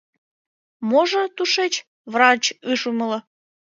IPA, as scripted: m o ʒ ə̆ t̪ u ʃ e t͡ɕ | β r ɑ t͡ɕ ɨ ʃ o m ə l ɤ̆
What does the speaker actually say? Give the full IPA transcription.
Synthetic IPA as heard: m o ʒ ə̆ t̪ u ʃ e t͡ɕ | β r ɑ t͡ɕ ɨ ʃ u m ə l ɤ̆